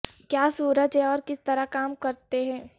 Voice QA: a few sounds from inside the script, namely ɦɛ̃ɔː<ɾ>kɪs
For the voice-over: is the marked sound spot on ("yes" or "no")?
yes